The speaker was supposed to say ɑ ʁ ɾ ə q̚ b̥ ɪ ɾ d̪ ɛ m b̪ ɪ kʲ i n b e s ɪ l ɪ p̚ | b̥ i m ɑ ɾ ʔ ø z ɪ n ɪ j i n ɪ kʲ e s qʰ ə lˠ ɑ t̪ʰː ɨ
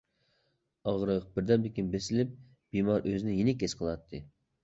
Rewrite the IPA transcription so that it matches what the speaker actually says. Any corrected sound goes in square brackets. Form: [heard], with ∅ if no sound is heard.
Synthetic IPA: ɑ ʁ ɾ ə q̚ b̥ ɪ ɾ d̪ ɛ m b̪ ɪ kʲ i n b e s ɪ l ɪ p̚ | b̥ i m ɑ ɾ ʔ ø z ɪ n ɪ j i n ɪ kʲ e s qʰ ə lˠ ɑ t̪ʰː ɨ